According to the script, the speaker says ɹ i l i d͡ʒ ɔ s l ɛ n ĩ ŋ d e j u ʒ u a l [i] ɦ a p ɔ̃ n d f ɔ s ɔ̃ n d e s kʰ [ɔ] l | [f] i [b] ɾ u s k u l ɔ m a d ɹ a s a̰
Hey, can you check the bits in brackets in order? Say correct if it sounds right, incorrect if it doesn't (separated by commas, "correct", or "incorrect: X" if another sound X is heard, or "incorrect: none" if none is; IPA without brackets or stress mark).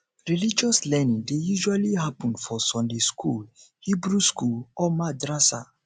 correct, incorrect: u, incorrect: h, correct